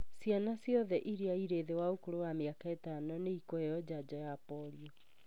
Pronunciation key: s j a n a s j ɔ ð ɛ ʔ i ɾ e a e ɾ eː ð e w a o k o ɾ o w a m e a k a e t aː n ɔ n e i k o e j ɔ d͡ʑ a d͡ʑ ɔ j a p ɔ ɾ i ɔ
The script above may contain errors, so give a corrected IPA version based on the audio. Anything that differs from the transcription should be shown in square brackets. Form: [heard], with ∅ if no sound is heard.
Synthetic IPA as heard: s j a n a s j ɔ ð ɛ ʔ i ɾ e a [i] ɾ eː ð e w a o k o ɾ o w a m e a k a e t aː n ɔ n e i k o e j ɔ d͡ʑ a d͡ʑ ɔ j a p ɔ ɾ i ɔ

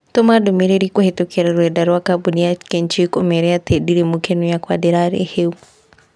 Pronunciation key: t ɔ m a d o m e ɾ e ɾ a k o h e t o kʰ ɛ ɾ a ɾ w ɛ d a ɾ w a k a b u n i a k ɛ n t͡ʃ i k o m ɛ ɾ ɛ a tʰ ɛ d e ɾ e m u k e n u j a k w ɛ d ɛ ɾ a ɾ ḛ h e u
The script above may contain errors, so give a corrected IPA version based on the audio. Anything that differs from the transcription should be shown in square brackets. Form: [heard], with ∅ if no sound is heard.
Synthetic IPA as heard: t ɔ m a d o m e ɾ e ɾ [i] k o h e t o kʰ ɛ ɾ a ɾ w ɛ d a ɾ w a k a b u n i a k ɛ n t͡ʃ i k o m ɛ ɾ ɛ a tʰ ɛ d [i] ɾ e m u k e n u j a k w [a] d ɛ ɾ a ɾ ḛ h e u

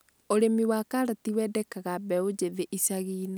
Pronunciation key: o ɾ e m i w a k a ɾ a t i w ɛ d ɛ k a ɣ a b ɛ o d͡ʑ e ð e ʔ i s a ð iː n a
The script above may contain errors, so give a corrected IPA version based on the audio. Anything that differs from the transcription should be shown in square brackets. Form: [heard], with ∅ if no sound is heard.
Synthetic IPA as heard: o ɾ e m i w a k a ɾ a t i w ɛ d ɛ k a ɣ a b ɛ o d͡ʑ e ð e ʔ i s a [ɣ] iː n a

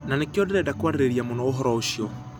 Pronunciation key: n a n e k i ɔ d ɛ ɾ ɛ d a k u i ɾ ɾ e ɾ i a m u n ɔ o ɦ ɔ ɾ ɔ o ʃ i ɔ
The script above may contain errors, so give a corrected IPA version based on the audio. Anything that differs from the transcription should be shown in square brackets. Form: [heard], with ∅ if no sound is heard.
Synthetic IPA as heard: n a n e k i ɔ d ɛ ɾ ɛ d a k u [a] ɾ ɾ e ɾ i a m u n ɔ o ɦ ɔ ɾ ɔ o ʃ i ɔ

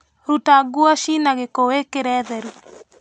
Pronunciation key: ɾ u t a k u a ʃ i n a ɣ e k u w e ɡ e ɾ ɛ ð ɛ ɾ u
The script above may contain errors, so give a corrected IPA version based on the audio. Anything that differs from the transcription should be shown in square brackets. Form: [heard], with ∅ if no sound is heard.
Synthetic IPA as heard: ɾ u t a [ɡ] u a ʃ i n a ɣ e k [o] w e [k] e ɾ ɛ ð ɛ ɾ u

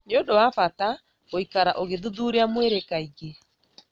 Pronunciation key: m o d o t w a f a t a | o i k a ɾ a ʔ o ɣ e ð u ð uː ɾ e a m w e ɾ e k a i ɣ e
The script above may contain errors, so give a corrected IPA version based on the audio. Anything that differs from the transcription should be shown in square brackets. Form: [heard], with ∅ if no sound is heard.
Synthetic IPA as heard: [n] o d o [∅] w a f a t a | o i k a ɾ a ʔ o ɣ e ð u ð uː ɾ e a m w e ɾ e k a i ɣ e

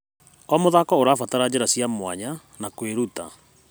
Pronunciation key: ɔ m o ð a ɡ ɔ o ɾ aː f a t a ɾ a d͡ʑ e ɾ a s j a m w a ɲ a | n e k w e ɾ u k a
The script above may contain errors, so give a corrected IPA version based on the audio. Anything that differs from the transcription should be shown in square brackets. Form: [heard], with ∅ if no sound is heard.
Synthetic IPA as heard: ɔ m o ð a [k] ɔ o ɾ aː f a t a ɾ a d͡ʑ e ɾ a s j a m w a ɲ a | n [a] k w e ɾ u [t] a

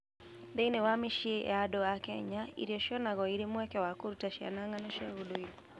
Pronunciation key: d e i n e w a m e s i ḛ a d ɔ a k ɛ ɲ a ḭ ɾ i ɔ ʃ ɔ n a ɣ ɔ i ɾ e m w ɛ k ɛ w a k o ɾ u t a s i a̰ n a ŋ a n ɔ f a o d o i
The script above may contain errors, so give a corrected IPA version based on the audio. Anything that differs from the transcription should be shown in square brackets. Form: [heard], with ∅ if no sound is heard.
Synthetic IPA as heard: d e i n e w a m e [ʃ] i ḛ a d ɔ a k ɛ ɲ a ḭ ɾ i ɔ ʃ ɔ n a ɣ ɔ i ɾ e m w ɛ k ɛ w a k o ɾ u t a [ʃ] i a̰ n a ŋ a n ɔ [ʃ] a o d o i

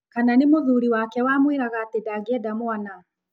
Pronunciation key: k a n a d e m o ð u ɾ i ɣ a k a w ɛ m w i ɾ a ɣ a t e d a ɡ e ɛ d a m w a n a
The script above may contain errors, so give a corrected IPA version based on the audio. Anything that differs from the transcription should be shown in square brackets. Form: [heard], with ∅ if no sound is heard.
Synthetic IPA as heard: k a n a [n] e m o ð u ɾ i [w] a k [ɛ] w [a] m w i ɾ a ɣ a t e d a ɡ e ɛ d a m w a n a

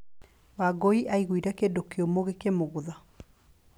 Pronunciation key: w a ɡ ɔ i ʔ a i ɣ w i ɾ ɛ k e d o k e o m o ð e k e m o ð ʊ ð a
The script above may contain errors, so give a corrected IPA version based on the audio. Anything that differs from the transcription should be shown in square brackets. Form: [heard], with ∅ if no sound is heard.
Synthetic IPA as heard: w a ɡ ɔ i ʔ a i ɣ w i ɾ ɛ k e d o k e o m o [ɣ] e k e m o [ɣ] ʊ ð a

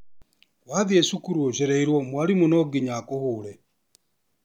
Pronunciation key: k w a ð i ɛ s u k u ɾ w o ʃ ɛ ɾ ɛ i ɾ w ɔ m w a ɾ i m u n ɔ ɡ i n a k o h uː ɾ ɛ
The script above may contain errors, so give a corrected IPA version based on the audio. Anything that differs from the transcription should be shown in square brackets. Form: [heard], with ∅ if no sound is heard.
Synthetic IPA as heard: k w a ð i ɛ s u k u ɾ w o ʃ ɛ ɾ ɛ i ɾ w ɔ m w a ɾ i m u n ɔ ɡ i [ɲ] a k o h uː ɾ ɛ

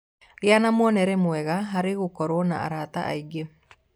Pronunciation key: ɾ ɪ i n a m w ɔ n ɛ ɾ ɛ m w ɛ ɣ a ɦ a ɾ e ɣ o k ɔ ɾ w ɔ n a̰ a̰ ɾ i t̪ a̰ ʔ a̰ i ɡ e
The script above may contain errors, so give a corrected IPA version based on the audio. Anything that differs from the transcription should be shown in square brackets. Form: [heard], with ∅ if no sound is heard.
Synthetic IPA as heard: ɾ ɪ [a] n a m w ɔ n ɛ ɾ ɛ m w ɛ ɣ a ɦ a ɾ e ɣ o k ɔ ɾ w ɔ n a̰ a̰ ɾ [a] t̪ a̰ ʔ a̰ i ɡ e

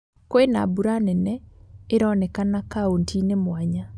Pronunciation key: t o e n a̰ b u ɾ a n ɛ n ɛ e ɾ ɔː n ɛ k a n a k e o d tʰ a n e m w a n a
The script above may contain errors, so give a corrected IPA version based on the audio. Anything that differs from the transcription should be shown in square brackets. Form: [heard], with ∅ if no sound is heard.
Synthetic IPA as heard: [k] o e n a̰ b u ɾ a n ɛ n ɛ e ɾ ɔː n ɛ k a n a k [a] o [n] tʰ [i] n e m w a [ɲ] a

